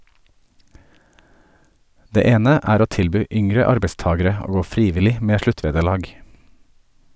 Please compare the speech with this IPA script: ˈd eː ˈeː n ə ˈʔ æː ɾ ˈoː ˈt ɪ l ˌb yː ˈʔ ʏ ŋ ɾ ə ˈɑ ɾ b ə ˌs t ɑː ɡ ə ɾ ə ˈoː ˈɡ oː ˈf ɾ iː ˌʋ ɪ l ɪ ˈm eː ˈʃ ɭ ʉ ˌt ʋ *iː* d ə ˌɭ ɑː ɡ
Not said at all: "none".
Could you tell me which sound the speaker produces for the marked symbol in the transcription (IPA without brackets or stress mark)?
eː